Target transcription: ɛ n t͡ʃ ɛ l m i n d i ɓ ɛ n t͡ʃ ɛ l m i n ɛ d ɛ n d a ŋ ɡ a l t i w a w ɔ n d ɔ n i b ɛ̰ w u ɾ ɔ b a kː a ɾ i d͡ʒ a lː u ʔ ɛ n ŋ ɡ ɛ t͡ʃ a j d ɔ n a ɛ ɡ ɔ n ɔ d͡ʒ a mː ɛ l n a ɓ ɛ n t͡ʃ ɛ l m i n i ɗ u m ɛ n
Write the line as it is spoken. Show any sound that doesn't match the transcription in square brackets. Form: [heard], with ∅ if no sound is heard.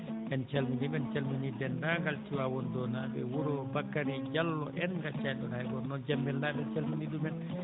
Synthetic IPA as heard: ɛ n t͡ʃ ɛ l m i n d i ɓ ɛ n t͡ʃ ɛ l m i n [i] d ɛ n d a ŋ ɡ a l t i w a w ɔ n d ɔ n [a] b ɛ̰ w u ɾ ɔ b a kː a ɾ i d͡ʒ a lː [ɔ] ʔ ɛ n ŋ ɡ [a] t͡ʃ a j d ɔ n a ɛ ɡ ɔ n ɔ d͡ʒ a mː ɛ l n a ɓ ɛ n t͡ʃ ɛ l m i n i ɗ u m ɛ n